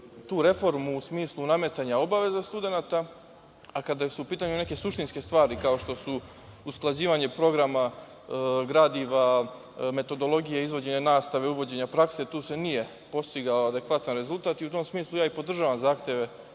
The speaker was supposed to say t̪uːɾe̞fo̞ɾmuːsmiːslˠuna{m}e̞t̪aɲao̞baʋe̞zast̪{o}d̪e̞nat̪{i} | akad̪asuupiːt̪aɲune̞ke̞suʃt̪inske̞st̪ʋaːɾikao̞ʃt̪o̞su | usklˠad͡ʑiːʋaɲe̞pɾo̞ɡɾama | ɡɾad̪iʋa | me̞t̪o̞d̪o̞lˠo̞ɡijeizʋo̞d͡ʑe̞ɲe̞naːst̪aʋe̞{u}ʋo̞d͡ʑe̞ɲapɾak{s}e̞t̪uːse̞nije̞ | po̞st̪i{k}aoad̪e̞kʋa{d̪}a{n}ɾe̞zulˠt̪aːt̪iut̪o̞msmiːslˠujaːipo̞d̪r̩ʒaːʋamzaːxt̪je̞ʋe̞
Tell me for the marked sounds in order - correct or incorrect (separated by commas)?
correct, incorrect, incorrect, correct, correct, incorrect, incorrect, correct